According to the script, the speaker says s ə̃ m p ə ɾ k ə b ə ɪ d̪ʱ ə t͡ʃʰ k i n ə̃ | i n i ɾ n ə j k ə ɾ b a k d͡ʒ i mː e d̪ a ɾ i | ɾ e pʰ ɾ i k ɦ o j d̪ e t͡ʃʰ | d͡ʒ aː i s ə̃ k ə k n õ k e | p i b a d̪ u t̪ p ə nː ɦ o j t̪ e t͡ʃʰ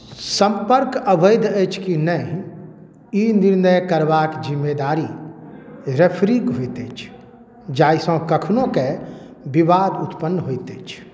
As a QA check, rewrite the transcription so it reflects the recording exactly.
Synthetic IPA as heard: s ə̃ m p ə ɾ k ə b ə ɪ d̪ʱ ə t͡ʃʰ k i n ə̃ | i n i ɾ n ə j k ə ɾ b a k d͡ʒ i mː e d̪ a ɾ i | ɾ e pʰ ɾ i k ɦ o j t̪ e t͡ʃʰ | d͡ʒ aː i s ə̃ k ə kʰ n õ k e | b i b a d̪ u t̪ p ə nː ɦ o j t̪ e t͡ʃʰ